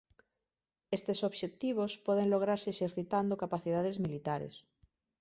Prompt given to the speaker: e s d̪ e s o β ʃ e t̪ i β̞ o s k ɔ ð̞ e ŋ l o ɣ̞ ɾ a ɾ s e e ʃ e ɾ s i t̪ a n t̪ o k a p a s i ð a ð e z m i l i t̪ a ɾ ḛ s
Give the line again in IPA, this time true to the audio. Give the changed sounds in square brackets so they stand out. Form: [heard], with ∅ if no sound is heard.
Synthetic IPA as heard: e s [t̪] e s o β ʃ e t̪ i β̞ o s [p] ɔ ð̞ e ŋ l o ɣ̞ ɾ a ɾ s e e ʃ e ɾ [θ] i t̪ a n [d̪] o k a p a [θ] i ð a ð e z m i l i t̪ a ɾ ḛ s